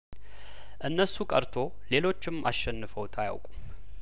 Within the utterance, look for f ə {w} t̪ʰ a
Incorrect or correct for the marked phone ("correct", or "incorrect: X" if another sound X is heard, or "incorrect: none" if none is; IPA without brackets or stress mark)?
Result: correct